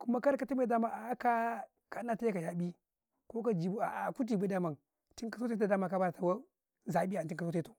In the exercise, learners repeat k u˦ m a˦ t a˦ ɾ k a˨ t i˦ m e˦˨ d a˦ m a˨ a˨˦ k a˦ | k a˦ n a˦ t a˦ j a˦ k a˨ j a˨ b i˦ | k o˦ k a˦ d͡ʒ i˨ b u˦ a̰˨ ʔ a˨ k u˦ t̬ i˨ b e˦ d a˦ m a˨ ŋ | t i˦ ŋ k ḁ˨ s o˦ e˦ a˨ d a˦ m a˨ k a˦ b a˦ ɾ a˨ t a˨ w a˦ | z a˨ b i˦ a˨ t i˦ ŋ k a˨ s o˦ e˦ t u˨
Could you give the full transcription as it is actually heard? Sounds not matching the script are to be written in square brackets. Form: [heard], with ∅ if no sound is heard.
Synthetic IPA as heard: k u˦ m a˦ [k] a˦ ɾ k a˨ t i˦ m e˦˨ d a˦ m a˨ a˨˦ k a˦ | k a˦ n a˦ t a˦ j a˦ k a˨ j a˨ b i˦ | k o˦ k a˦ d͡ʒ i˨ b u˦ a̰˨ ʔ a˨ k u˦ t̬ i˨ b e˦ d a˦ m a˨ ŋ | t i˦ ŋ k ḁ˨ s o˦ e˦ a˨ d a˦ m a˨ k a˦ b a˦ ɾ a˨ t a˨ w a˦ | z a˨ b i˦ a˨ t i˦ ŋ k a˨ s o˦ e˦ t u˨